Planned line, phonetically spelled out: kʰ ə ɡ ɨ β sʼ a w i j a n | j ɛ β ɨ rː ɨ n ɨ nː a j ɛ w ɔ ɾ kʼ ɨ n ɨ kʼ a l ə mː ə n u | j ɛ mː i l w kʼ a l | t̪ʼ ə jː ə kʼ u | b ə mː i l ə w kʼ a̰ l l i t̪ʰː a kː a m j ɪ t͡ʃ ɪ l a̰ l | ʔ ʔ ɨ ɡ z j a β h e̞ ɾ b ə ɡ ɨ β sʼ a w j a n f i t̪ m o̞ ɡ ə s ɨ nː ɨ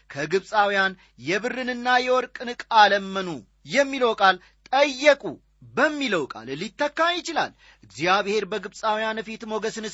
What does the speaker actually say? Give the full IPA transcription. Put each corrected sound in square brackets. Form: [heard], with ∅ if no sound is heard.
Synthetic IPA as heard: kʰ ə ɡ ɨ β sʼ a w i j a n | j ɛ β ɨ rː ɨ n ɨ nː a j ɛ w ɔ ɾ kʼ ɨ n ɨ kʼ a l ə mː ə n u | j ɛ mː i l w kʼ a l | t̪ʼ ə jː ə kʼ u | b ə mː i l ə w kʼ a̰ l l i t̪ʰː [ə] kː a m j ɪ t͡ʃ ɪ l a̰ l | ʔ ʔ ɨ ɡ z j a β h e̞ ɾ b ə ɡ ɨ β sʼ a w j a n f i t̪ m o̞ ɡ ə s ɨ [n] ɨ